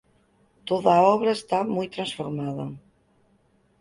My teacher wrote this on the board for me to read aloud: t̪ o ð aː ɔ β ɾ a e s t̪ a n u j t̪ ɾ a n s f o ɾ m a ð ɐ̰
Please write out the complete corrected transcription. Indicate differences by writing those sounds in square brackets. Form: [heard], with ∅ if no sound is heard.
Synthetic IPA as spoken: t̪ o ð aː ɔ β ɾ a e s t̪ a [m] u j t̪ ɾ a n s f o ɾ m a ð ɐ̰

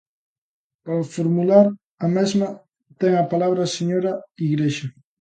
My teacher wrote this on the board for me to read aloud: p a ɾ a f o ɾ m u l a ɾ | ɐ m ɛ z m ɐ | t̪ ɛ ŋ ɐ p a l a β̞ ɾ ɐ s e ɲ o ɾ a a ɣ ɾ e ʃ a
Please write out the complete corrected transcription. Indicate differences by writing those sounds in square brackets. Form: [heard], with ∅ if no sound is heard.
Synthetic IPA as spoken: p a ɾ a f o ɾ m u l a ɾ | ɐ m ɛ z m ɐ | t̪ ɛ ŋ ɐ p a l a β̞ ɾ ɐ s e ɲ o ɾ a [i] ɣ ɾ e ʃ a

